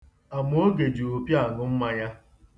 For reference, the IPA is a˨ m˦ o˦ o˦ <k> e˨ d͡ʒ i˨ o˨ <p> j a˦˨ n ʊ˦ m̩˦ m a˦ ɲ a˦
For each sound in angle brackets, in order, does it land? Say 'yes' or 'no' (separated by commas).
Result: no, yes